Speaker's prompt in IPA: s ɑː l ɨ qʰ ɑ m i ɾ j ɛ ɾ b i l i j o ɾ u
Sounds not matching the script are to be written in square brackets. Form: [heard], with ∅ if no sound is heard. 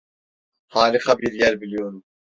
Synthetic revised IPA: [h] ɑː l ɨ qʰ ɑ [b] i ɾ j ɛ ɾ b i l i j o ɾ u

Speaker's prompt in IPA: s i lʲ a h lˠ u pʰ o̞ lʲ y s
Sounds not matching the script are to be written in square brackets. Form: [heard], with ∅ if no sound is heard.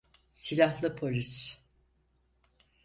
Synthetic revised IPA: s i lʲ a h lˠ [ɯ] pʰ o̞ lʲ [i] s

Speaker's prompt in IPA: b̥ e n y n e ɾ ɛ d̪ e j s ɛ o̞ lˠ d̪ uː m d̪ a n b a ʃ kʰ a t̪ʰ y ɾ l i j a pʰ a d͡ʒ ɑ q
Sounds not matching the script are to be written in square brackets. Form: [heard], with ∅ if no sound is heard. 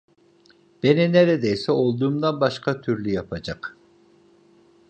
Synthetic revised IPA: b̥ e n [i] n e ɾ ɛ d̪ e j s ɛ o̞ lˠ d̪ uː m d̪ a n b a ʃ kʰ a t̪ʰ y ɾ l [y] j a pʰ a d͡ʒ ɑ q

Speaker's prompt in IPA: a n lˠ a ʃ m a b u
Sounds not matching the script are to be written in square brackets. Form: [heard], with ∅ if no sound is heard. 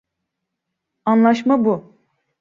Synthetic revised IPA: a n lˠ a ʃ m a b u

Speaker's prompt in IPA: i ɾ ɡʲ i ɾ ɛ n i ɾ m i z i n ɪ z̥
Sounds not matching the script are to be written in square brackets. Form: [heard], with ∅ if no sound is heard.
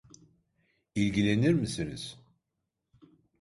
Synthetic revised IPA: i [l] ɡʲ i [l] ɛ n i ɾ m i [s] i n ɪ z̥

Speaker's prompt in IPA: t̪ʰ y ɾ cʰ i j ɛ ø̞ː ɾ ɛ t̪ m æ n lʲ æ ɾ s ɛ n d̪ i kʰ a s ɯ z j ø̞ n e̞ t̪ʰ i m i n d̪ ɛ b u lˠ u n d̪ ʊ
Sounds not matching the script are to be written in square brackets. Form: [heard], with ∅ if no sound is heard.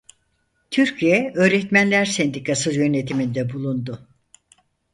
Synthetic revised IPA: t̪ʰ y ɾ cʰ i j ɛ ø̞ː ɾ ɛ t̪ m æ n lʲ æ ɾ s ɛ n d̪ i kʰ a s ɯ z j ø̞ n e̞ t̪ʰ i m i n d̪ ɛ b u lˠ u n d̪ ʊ

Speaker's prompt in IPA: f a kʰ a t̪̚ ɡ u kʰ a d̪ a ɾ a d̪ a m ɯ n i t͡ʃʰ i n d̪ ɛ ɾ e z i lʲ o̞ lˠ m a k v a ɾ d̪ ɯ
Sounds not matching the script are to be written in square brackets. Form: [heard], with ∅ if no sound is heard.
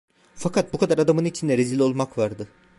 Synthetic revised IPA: f a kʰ a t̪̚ [b] u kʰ a d̪ a ɾ a d̪ a m ɯ n i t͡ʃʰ i n d̪ ɛ ɾ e z i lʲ o̞ lˠ m a k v a ɾ d̪ ɯ

